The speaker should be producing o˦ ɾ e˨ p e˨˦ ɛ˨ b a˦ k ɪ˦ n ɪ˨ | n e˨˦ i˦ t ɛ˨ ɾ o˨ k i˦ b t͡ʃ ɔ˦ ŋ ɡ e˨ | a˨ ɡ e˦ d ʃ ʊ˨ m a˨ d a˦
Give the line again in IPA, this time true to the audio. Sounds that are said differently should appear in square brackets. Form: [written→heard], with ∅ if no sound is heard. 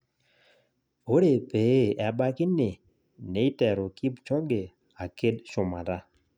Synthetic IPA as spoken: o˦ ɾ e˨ p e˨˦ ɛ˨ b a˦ k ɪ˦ n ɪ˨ | n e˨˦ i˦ t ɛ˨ ɾ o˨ k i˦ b t͡ʃ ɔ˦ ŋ ɡ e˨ | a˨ [ɡ→k] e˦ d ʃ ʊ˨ m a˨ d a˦